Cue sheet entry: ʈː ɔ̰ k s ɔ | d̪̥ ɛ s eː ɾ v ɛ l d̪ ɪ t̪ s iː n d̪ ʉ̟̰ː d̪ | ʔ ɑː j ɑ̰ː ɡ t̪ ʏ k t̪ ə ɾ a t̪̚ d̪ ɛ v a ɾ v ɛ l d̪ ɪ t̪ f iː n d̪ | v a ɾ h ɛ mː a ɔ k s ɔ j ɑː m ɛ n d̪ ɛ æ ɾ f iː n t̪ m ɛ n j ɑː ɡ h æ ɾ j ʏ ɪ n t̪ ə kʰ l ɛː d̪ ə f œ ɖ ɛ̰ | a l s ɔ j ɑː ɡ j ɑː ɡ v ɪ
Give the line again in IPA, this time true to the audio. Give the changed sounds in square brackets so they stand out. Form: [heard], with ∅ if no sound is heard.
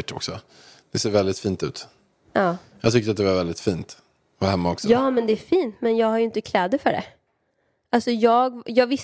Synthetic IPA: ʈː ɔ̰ k s ɔ | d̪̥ ɛ s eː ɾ v ɛ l d̪ ɪ t̪ [f] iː n [t̪] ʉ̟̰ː [t̪] | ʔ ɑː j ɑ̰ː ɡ t̪ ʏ k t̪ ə ɾ a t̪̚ d̪ ɛ v a ɾ v ɛ l d̪ ɪ t̪ f iː n [t̪] | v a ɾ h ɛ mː a ɔ k s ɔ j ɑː m ɛ n d̪ ɛ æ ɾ f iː n t̪ m ɛ n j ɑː ɡ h [a] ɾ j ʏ ɪ n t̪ ə kʰ l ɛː d̪ ə f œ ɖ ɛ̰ | a l s ɔ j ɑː ɡ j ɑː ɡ v ɪ